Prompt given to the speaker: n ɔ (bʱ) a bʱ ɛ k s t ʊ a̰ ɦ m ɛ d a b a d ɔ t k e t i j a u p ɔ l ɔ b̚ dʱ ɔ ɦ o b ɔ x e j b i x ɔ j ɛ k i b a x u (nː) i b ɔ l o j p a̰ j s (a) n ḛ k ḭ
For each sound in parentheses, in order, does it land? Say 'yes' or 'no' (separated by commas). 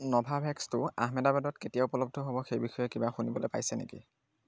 yes, no, no